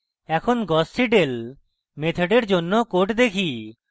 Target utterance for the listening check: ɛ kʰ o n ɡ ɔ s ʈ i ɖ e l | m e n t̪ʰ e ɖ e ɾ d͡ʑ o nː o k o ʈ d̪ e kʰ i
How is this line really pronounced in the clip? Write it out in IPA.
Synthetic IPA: ɛ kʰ o n ɡ ɔ s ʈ i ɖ e l | m e t̪ʰ e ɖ e ɾ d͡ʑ o nː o k o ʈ d̪ e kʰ i